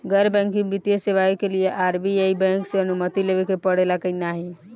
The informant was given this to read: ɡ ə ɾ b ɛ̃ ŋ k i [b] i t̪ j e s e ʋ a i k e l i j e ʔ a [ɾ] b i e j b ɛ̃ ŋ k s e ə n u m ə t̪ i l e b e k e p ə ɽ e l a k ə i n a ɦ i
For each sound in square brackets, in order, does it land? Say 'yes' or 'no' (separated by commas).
yes, yes